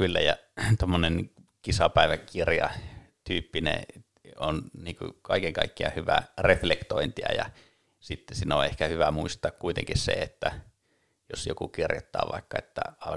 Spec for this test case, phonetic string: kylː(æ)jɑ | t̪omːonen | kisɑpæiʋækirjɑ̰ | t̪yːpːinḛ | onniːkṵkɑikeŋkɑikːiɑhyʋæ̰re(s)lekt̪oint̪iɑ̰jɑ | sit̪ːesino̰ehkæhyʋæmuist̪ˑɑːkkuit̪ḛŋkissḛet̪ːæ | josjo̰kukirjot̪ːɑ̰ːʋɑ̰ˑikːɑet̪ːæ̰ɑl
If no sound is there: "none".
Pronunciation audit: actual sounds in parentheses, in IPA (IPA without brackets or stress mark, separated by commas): æ, f